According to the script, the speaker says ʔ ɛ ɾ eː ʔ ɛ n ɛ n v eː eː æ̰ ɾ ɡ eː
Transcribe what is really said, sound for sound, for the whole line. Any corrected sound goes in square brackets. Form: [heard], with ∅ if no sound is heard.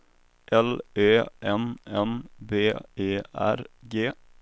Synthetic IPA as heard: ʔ ɛ [l] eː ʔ ɛ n ɛ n [b] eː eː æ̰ ɾ ɡ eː

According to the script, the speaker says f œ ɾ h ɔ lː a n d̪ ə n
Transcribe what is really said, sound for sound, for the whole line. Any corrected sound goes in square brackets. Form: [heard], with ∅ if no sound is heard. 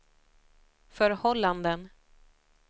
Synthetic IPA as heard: f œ ɾ h ɔ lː a n d̪ ə n

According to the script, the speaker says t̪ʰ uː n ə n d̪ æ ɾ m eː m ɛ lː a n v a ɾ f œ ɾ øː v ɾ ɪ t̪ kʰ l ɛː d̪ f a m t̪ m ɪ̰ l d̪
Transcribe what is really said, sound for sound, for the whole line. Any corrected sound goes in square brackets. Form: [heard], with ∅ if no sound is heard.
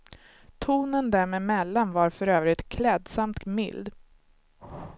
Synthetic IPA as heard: t̪ʰ uː n ə n d̪ æ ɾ m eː m ɛ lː a n v a ɾ f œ ɾ øː v ɾ ɪ t̪ kʰ l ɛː d̪ [s] a m t̪ m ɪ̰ l d̪

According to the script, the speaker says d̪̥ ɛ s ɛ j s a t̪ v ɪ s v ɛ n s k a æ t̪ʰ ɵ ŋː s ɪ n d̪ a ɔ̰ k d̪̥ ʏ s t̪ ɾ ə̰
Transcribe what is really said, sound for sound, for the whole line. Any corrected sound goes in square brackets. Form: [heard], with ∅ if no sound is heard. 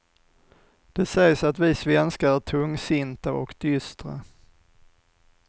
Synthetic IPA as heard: d̪̥ ɛ s ɛ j s a t̪ v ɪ s v ɛ n s k a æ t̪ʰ ɵ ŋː s ɪ n [t̪] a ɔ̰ k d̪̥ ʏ s t̪ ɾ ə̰

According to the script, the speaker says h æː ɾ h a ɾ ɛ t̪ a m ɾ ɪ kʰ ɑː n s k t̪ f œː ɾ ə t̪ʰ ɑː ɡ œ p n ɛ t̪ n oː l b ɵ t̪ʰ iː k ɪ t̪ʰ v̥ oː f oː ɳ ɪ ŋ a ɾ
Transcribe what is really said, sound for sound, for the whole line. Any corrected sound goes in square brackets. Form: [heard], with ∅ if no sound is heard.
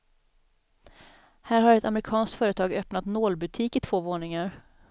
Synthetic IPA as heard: h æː ɾ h a ɾ ɛ t̪ a m ɾ ɪ kʰ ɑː n s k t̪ f œː ɾ ə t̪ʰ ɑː ɡ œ p n [a] t̪ n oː l b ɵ t̪ʰ iː k ɪ t̪ʰ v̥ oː [v] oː ɳ ɪ ŋ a ɾ

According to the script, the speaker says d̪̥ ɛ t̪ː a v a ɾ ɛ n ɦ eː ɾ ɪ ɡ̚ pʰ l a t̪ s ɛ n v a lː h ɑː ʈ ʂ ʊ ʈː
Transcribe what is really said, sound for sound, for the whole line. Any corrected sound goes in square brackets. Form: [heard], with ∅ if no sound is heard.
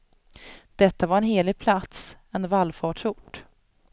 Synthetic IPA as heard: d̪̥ ɛ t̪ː a v a ɾ ɛ n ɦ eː [l] ɪ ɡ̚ pʰ l a t̪ s ɛ n v a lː [f] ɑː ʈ ʂ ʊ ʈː

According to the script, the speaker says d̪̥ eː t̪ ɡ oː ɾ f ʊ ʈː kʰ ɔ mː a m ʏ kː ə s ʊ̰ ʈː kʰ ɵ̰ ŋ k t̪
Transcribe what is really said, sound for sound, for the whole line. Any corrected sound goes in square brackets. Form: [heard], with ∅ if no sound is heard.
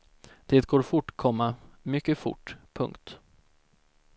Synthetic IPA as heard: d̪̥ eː t̪ ɡ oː ɾ f ʊ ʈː kʰ ɔ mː a m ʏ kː ə [f] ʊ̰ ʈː [pʰ] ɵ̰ ŋ k t̪

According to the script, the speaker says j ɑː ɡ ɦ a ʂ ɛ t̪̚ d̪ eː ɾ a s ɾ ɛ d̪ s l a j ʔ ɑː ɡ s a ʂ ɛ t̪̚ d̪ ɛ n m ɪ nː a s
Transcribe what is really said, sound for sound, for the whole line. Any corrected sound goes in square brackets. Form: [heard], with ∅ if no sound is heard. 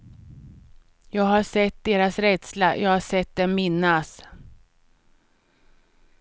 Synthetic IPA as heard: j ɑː ɡ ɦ a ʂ ɛ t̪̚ d̪ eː ɾ a s ɾ ɛ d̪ s l a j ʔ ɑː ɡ [h] a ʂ ɛ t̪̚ d̪ ɛ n m ɪ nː a s

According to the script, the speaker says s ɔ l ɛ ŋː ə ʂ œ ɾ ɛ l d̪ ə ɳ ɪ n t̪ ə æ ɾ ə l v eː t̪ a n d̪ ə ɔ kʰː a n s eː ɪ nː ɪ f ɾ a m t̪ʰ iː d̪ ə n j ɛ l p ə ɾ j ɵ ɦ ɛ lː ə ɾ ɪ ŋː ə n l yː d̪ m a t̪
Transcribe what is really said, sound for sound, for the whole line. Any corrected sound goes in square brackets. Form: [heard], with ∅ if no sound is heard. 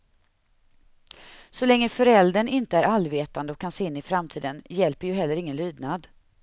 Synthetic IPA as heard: s ɔ l ɛ ŋː ə [f] œ ɾ ɛ l d̪ ə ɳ ɪ n t̪ ə æ ɾ [a] l v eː t̪ a n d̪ ə ɔ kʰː a n s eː ɪ nː ɪ f ɾ a m t̪ʰ iː d̪ ə n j ɛ l p ə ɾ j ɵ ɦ ɛ lː ə ɾ ɪ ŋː ə n l yː d̪ [n] a [d̪]

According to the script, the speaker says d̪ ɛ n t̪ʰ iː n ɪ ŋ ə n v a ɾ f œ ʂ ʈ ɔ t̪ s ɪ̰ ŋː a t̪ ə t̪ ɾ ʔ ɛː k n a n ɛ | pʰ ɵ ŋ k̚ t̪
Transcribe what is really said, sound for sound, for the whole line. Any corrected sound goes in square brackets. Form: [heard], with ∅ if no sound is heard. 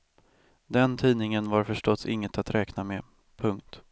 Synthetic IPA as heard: d̪ ɛ n t̪ʰ iː n ɪ ŋ ə n v a ɾ f œ ʂ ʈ ɔ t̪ s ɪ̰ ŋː [ə] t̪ [a] t̪ ɾ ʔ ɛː k n a [m] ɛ | pʰ ɵ ŋ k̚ t̪

